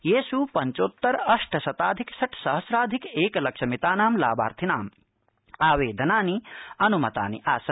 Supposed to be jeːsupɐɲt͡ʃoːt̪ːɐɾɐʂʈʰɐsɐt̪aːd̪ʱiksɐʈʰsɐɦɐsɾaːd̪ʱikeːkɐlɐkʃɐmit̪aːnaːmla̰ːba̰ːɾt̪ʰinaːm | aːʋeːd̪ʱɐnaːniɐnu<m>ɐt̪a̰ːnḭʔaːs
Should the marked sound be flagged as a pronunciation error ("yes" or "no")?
no